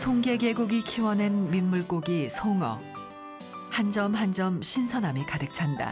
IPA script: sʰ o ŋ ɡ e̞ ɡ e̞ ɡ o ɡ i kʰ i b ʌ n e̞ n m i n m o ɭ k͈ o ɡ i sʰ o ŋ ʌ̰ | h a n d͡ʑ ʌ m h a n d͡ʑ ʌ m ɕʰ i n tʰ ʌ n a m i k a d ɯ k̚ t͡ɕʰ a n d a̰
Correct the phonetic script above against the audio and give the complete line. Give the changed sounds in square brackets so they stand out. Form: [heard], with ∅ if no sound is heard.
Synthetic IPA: sʰ o ŋ ɡ e̞ ɡ e̞ ɡ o ɡ i kʰ i [w] ʌ n e̞ n m i n m [u] ɭ k͈ o ɡ i sʰ o ŋ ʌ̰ | h a n d͡ʑ ʌ m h a n d͡ʑ ʌ m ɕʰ i n [sʰ] ʌ n a m i k a d ɯ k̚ t͡ɕʰ a n d a̰